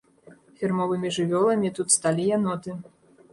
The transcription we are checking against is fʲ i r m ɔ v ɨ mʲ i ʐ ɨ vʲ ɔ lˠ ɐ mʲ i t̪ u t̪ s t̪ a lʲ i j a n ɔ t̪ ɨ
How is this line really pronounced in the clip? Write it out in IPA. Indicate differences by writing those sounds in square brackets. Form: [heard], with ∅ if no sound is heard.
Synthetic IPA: fʲ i r m ɔ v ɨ mʲ i ʐ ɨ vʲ ɔ lˠ ɐ mʲ i t̪ u t̪ s t̪ a lʲ i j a n ɔ t̪ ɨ